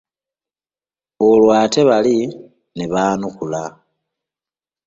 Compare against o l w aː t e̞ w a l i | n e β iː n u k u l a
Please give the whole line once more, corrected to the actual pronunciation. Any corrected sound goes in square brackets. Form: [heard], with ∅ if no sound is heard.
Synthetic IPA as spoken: o l w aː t e̞ [β] a l i | n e β [aː] n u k u l a